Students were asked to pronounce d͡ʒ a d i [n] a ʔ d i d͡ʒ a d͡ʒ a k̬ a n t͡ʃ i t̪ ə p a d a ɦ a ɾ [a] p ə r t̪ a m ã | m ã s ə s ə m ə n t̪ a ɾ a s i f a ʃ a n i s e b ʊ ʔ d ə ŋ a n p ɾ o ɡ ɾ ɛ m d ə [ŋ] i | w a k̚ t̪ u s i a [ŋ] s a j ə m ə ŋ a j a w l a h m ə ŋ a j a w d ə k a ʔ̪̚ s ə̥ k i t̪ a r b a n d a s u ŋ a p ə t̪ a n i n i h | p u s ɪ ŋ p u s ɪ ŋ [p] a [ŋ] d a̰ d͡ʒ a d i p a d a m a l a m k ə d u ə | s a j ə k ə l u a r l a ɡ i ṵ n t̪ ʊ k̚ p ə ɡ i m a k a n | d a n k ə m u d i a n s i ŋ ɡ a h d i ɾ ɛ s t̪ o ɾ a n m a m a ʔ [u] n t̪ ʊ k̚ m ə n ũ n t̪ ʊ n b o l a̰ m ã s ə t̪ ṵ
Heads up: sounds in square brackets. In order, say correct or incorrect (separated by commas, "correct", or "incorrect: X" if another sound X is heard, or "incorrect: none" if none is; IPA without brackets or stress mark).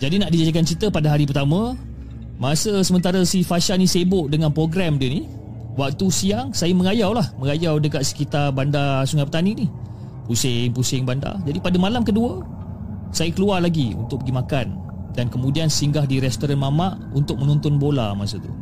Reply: correct, incorrect: i, incorrect: n, correct, incorrect: b, incorrect: n, correct